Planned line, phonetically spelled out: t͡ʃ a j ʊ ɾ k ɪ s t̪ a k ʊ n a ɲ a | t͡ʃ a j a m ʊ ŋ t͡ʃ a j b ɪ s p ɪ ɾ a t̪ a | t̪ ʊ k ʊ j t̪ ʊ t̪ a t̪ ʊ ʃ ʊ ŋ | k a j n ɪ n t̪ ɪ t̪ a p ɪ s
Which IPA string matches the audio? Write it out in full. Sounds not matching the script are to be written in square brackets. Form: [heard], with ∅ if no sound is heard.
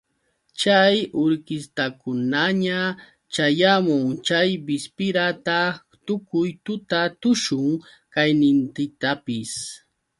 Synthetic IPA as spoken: t͡ʃ a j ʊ ɾ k ɪ s t̪ a k ʊ n a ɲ a | t͡ʃ a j a m ʊ ŋ t͡ʃ a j b ɪ s p ɪ ɾ a t̪ a | t̪ ʊ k ʊ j t̪ ʊ t̪ a t̪ ʊ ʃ ʊ ŋ | k a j n ɪ n t̪ ɪ t̪ a p ɪ s